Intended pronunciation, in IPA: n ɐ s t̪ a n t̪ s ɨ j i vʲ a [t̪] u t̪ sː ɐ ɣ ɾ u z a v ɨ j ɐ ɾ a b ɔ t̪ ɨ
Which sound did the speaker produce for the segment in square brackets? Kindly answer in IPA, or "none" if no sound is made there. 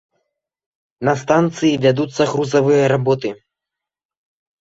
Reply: d̪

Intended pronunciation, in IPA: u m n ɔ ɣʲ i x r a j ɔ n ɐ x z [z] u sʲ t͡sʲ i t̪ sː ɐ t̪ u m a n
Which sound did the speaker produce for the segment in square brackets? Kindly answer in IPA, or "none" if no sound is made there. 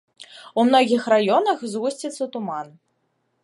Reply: ɣ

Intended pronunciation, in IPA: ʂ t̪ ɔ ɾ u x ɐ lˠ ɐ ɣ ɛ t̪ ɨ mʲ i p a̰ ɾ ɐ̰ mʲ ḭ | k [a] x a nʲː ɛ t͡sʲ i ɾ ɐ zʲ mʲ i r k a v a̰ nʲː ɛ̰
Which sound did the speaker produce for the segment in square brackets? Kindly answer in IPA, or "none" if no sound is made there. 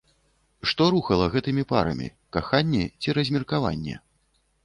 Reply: a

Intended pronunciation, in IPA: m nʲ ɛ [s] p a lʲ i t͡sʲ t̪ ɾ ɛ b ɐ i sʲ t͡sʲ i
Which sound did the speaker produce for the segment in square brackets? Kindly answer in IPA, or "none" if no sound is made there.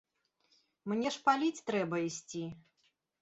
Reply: ʂ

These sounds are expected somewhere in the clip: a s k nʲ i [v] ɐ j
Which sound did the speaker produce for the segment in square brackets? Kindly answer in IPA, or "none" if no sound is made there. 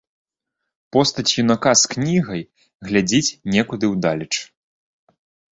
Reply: ɣ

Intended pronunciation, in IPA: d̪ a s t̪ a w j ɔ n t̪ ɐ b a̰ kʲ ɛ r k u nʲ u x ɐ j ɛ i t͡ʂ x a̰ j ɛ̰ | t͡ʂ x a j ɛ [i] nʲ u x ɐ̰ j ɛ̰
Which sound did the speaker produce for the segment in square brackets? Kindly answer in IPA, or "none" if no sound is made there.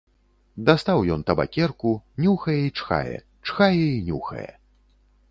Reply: i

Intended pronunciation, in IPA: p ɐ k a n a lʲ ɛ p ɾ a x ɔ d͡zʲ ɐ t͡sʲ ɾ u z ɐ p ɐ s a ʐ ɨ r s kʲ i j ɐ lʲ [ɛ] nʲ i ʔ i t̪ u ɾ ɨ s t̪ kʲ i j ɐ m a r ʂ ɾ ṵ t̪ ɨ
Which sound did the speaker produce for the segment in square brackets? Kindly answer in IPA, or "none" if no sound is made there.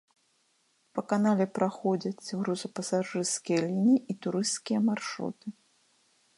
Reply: i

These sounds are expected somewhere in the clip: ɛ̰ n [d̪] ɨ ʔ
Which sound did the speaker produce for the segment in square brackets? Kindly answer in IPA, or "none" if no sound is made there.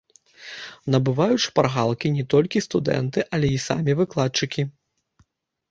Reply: t̪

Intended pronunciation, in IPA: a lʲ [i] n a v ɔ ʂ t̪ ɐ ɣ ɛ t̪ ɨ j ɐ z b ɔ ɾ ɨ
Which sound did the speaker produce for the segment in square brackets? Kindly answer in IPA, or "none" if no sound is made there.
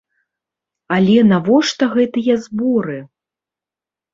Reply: ɛ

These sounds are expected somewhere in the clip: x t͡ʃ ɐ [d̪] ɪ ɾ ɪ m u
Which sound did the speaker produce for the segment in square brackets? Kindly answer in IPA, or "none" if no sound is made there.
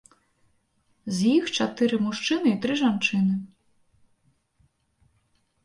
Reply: t̪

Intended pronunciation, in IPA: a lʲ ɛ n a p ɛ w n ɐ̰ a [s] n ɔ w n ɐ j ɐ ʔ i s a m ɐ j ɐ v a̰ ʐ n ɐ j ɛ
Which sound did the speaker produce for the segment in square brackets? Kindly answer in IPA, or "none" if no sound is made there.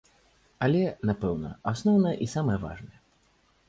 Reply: s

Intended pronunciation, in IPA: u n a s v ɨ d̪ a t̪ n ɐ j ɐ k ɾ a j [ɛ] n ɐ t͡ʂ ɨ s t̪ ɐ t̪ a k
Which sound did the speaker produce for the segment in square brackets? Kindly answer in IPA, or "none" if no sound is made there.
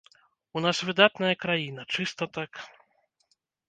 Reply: i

